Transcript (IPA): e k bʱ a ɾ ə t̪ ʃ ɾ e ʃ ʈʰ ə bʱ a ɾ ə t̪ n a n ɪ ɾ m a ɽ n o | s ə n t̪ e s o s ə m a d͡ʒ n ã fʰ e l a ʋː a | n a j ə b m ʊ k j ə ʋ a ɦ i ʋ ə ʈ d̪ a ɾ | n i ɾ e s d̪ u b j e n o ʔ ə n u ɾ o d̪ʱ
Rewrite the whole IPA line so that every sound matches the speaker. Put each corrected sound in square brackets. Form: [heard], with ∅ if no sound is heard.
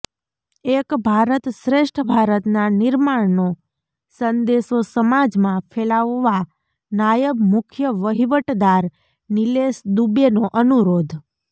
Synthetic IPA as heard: e k bʱ a ɾ ə t̪ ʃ ɾ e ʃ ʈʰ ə bʱ a ɾ ə t̪ n a n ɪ ɾ m a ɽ n o | s ə n [d̪] e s o s ə m a d͡ʒ [m] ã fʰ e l a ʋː a | n a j ə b m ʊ [kʰ] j ə ʋ [ə] ɦ i ʋ ə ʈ d̪ a ɾ | n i [l] e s d̪ u b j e n o ʔ ə n u ɾ o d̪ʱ